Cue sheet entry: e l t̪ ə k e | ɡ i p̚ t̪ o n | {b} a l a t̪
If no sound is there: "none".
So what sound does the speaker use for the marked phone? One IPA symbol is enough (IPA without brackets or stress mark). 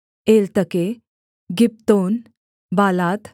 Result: b